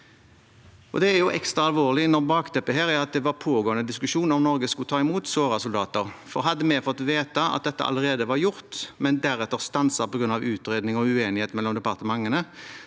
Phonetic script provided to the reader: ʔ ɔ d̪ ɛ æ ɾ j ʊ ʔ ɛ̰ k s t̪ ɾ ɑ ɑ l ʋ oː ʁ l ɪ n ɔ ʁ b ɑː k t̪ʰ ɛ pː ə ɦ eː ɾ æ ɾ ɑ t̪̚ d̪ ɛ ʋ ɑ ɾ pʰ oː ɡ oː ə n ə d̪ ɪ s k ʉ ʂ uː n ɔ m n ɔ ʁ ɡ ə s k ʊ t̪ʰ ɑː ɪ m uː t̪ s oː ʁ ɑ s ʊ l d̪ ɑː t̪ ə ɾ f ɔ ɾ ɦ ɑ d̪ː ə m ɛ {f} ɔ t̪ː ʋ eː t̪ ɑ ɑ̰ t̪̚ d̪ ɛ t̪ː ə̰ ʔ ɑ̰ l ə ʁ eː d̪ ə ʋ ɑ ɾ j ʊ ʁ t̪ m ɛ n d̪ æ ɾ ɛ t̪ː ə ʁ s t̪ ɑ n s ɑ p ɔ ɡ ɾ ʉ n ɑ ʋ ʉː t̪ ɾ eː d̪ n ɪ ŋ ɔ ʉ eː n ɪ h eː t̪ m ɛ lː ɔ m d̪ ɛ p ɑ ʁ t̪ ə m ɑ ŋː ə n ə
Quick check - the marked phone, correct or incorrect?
correct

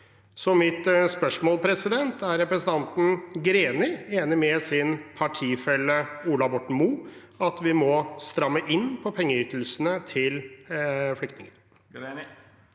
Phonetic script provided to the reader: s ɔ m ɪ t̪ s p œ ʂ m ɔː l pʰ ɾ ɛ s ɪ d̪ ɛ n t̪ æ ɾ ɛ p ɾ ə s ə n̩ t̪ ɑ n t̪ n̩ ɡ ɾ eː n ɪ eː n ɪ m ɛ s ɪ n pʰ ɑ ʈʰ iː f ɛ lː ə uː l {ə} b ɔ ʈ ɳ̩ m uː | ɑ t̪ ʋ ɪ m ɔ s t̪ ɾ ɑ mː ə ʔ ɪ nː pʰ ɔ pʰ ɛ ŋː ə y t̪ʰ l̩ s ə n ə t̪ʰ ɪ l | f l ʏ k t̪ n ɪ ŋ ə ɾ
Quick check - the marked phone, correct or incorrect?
incorrect: ɑ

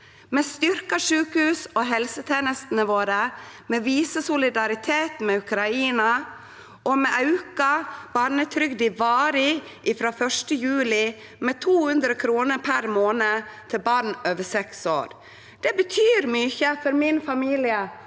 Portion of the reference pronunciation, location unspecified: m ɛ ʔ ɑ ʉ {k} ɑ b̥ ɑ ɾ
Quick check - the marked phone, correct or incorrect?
correct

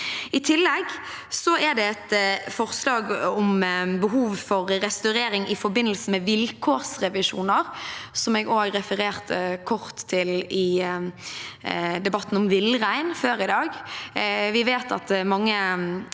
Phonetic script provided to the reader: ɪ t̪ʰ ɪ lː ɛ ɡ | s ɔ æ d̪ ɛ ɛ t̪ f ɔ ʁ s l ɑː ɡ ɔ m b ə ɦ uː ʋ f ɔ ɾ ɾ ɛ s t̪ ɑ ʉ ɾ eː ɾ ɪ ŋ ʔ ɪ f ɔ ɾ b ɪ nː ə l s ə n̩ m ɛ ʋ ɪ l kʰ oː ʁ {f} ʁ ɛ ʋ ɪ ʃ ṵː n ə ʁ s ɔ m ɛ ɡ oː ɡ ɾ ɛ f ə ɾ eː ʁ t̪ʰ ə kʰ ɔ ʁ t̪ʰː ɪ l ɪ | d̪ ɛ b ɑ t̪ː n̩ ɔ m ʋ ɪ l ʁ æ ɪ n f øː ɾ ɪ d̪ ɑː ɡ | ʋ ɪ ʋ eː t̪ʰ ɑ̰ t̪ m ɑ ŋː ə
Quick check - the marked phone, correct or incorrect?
incorrect: s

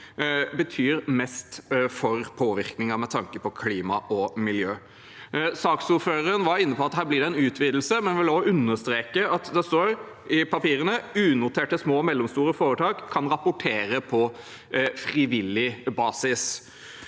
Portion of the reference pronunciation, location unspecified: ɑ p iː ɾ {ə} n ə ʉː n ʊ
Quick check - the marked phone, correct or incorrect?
correct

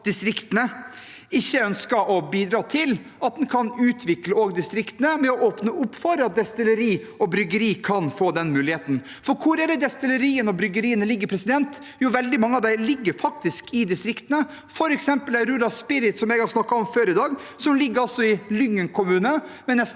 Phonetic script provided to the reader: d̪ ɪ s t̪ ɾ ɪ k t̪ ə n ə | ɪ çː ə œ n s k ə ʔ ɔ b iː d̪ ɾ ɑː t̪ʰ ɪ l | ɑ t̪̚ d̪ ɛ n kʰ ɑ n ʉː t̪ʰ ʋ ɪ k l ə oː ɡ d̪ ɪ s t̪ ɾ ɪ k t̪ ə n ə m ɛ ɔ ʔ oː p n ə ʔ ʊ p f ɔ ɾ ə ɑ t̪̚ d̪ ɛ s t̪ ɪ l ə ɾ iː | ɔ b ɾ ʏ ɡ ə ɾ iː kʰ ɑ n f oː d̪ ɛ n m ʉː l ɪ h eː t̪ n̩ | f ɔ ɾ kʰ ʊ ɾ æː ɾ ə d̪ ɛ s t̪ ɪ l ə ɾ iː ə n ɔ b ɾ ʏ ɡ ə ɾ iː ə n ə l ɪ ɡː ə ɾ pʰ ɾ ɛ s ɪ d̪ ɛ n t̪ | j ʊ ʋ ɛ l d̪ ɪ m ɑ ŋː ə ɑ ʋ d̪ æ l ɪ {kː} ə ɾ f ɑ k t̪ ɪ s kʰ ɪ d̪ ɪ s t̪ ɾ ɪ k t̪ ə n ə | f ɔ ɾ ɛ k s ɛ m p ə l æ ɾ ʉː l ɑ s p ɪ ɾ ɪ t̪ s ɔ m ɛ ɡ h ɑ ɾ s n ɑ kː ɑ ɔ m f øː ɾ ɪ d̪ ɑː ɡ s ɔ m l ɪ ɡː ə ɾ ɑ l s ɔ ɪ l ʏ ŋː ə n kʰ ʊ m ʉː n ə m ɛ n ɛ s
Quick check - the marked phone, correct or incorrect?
incorrect: ɡː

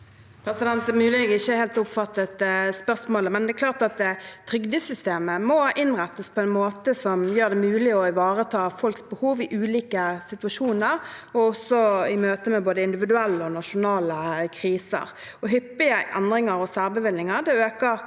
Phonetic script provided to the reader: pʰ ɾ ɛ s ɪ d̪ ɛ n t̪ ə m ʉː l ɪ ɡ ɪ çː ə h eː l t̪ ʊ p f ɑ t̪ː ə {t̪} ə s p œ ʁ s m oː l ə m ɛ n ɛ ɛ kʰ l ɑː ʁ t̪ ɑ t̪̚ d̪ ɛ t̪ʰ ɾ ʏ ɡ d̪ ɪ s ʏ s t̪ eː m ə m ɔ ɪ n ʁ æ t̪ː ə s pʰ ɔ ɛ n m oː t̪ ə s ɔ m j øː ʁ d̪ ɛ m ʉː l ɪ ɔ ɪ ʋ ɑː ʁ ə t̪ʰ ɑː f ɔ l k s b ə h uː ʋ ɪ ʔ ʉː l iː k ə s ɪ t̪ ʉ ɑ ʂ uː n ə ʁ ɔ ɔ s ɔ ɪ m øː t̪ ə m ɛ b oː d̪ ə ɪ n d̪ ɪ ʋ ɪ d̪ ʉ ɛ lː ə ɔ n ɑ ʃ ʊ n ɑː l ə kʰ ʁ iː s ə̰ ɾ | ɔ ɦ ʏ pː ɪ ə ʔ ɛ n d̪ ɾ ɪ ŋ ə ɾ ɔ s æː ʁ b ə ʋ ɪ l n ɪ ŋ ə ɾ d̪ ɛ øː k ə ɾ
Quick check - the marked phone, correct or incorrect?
correct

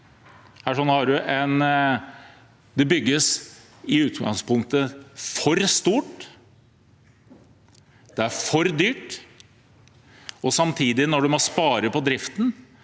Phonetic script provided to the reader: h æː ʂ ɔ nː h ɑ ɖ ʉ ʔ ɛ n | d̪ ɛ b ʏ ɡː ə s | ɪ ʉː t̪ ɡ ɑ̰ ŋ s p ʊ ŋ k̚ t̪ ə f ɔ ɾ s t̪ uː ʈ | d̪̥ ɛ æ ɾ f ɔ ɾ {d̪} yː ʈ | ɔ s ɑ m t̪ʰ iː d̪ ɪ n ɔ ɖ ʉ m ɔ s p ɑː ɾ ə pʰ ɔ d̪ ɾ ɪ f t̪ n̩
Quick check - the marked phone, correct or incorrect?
correct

